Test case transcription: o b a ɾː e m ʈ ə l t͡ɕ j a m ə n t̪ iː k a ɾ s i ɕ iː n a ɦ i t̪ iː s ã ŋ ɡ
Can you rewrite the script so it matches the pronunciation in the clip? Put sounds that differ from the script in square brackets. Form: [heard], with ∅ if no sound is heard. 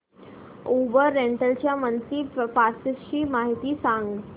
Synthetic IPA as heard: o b [ə] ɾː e [ɳ] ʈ ə l t͡ɕ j a m ə n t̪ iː [p] a ɾ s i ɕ iː [m] a ɦ i t̪ iː s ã ŋ ɡ